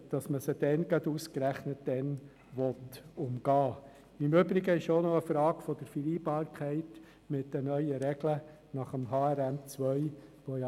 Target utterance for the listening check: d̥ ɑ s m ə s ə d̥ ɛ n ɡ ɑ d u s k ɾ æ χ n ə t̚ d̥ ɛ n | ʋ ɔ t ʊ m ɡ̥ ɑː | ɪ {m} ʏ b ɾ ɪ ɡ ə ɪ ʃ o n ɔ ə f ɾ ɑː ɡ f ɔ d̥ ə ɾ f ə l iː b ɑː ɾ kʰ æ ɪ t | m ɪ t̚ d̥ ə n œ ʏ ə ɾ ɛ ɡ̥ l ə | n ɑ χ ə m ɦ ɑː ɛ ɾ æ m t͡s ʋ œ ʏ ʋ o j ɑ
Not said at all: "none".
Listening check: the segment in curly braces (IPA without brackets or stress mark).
m